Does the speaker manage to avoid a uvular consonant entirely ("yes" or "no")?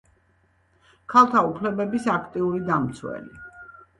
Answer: yes